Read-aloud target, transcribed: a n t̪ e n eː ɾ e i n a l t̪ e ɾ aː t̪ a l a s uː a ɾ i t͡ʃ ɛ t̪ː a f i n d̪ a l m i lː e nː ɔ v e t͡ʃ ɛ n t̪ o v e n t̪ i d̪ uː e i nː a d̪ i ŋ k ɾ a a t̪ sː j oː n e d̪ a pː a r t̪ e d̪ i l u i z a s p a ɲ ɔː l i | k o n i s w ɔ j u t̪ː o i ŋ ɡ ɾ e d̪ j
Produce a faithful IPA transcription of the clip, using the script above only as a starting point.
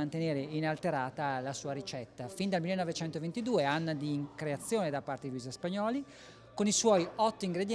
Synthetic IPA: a n t̪ e n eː ɾ e i n a l t̪ e ɾ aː t̪ a l a s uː a ɾ i t͡ʃ ɛ t̪ː a f i n d̪ a l m i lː e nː ɔ v e t͡ʃ ɛ n t̪ o v e n t̪ i d̪ uː e a nː a d̪ i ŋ k ɾ e a t̪ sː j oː n e d̪ a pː a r t̪ e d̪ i l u i z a s p a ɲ ɔː l i | k o n i s w ɔ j ɔ t̪ː o i ŋ ɡ ɾ e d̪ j